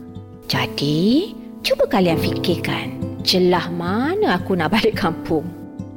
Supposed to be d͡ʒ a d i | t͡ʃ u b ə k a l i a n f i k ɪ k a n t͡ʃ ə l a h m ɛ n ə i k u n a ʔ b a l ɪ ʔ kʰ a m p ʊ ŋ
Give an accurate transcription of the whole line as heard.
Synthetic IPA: d͡ʒ a d i | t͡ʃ u b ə k a l i a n f i k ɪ k a n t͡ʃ ə l a h m a n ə a k u n a ʔ b a l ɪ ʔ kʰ a m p ʊ ŋ